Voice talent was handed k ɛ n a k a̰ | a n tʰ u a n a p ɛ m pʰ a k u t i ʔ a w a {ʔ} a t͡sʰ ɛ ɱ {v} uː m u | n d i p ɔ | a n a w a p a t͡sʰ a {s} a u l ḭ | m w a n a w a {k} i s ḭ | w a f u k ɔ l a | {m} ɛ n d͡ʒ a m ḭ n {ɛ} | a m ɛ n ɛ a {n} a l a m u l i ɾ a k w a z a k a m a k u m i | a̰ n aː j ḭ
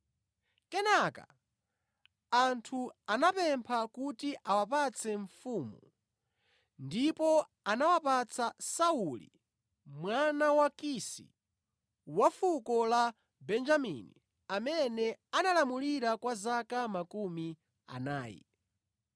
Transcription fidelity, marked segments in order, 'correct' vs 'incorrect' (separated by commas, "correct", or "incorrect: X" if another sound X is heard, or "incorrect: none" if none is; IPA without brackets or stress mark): incorrect: p, incorrect: f, correct, correct, incorrect: b, incorrect: i, correct